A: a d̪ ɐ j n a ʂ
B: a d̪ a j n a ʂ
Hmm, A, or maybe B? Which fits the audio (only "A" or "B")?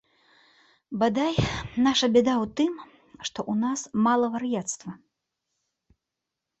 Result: B